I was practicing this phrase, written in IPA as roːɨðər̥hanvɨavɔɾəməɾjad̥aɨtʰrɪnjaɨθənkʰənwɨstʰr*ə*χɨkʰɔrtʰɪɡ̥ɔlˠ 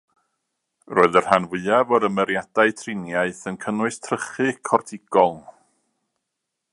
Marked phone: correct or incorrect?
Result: correct